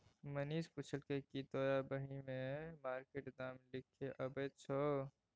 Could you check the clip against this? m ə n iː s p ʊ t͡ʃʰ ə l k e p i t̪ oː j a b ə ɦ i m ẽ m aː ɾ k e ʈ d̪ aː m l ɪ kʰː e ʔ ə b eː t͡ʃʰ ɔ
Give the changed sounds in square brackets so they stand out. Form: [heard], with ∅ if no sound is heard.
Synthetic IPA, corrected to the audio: m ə n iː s p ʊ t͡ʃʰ ə l k e [k] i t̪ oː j a b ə ɦ i m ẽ m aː ɾ k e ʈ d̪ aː m l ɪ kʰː e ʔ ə b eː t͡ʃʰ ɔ